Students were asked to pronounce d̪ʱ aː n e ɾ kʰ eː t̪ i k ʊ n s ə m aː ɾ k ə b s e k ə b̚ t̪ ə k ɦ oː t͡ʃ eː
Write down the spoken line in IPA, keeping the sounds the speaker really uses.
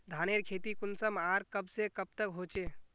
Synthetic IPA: d̪ʱ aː n e ɾ kʰ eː t̪ i k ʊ n s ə m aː ɾ k ə b s e k ə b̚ t̪ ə k ɦ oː t͡ʃ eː